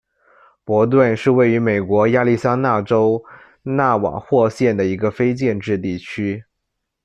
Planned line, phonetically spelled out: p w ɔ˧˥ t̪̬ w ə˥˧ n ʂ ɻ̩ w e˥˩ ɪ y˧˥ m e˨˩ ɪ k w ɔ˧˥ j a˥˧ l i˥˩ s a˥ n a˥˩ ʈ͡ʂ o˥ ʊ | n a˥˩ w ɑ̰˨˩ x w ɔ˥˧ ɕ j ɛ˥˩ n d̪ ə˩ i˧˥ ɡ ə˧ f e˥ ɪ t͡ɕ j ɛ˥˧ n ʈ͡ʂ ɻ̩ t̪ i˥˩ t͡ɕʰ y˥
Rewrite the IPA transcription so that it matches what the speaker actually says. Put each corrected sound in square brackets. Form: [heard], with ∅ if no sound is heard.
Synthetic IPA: p w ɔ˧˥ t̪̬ w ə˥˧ n ʂ ɻ̩ w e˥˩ ɪ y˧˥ m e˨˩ ɪ k w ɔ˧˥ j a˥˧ l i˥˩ s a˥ n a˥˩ ʈ͡ʂ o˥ ʊ | n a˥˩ w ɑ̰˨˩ x w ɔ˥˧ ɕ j ɛ˥˩ n d̪ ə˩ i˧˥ ɡ ə˧ f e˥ ɪ t͡ɕ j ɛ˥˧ n ʈ͡ʂ ɻ̩ t̪ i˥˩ t͡ɕʰ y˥